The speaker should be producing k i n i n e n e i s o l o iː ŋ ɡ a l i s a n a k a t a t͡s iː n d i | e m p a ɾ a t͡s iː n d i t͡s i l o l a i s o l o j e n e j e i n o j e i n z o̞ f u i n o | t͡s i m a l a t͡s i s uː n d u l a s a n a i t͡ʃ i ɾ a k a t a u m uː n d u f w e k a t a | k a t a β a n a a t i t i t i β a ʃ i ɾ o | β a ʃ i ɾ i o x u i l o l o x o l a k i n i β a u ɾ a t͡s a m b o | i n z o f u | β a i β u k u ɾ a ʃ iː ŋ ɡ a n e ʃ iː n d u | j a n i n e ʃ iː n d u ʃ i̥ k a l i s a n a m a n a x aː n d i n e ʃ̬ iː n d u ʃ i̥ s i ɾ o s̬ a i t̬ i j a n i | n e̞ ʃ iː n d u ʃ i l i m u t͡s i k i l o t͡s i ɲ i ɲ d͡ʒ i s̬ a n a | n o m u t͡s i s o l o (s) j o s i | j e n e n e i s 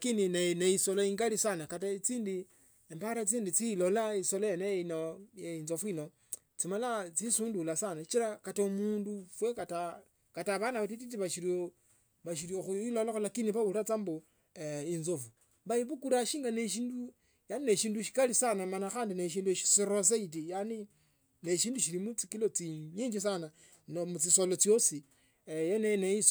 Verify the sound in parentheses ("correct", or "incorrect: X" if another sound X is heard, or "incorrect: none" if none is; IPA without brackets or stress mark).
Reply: incorrect: t͡s